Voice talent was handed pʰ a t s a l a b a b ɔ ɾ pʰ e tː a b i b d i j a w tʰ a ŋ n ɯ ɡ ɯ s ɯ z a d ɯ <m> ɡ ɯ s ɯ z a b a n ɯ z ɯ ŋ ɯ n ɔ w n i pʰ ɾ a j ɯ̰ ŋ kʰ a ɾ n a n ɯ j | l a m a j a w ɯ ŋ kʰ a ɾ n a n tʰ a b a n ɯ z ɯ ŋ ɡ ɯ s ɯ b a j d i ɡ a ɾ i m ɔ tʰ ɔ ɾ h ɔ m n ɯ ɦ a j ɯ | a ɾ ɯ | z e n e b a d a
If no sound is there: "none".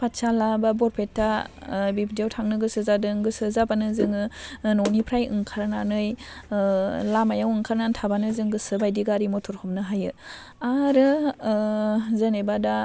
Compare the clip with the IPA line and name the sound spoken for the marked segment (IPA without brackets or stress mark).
ŋ